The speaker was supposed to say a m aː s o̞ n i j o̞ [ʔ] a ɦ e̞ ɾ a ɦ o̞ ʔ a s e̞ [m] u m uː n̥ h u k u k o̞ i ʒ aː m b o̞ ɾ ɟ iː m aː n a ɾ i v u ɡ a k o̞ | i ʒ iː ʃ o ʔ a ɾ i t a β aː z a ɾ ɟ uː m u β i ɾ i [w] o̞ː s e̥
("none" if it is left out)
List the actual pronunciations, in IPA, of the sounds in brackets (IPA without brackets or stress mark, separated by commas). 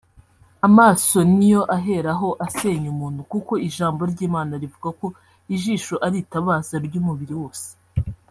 ʔ, ɲ, w